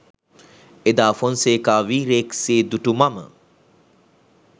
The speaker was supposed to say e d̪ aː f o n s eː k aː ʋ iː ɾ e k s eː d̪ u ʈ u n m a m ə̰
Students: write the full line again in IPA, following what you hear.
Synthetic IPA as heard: e d̪ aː f o n s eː k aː ʋ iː ɾ e k s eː d̪ u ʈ u m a m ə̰